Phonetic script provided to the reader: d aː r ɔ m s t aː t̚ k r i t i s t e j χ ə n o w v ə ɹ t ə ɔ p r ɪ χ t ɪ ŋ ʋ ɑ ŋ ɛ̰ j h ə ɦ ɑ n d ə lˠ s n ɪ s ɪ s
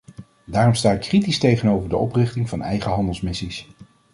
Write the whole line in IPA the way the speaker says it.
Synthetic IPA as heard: d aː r ɔ m s t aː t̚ k r i t i s t e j χ ə n o w v ə ɹ d ə ɔ p r ɪ χ t ɪ ŋ v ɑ n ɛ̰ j χ ə ɦ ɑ n d ə lˠ s m ɪ s i s